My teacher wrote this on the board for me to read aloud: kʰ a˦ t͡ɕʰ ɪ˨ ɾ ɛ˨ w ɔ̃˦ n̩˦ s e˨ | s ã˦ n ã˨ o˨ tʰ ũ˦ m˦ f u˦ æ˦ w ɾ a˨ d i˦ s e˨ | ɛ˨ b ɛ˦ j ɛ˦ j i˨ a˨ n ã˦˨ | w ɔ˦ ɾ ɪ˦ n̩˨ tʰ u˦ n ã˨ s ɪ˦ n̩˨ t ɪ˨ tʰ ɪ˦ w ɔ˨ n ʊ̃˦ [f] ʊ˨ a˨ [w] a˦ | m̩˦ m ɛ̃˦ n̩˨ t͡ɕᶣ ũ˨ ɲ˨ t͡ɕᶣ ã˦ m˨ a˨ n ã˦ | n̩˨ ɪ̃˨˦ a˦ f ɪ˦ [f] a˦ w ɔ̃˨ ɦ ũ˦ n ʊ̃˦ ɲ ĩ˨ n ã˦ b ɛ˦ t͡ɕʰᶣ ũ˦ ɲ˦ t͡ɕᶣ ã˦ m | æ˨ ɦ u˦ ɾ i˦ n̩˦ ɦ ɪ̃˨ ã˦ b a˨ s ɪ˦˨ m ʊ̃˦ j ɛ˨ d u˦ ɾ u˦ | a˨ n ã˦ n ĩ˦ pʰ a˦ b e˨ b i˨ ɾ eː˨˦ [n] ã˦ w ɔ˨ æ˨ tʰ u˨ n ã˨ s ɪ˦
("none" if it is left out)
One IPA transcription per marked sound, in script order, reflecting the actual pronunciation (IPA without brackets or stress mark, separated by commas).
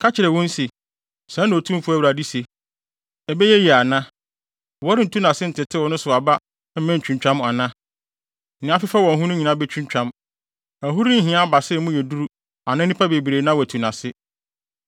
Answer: s, b, f, n